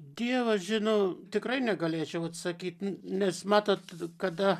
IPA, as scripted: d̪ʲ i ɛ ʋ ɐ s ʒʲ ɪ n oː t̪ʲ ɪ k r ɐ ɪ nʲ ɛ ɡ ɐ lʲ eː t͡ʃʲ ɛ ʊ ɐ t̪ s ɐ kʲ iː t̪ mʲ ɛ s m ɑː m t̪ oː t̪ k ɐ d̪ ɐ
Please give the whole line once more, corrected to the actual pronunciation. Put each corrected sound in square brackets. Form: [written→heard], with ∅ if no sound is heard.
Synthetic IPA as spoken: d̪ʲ i ɛ ʋ ɐ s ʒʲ ɪ n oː t̪ʲ ɪ k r ɐ ɪ nʲ ɛ ɡ ɐ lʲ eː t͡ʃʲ ɛ ʊ ɐ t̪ s ɐ kʲ iː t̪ [mʲ→nʲ] ɛ s m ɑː [m→∅] t̪ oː t̪ k ɐ d̪ ɐ